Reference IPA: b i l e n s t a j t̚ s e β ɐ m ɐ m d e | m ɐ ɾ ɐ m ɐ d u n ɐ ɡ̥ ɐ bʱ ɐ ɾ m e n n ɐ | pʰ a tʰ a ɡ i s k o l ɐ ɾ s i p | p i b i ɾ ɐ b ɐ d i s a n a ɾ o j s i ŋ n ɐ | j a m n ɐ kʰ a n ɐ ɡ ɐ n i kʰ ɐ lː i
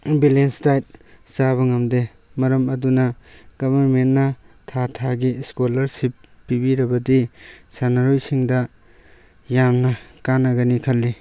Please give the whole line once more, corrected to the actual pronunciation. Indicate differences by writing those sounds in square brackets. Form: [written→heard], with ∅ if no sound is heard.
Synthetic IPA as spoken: b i l e n s t a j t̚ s [e→a] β ɐ [m→ŋ] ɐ m d e | m ɐ ɾ ɐ m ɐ d u n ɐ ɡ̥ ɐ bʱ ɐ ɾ m e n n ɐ | [pʰ→tʰ] a tʰ a ɡ i s k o l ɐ ɾ s i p | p i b i ɾ ɐ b ɐ d i s a n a ɾ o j s i ŋ [n→d] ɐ | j a m n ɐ [kʰ→k] a n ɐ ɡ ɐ n i kʰ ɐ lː i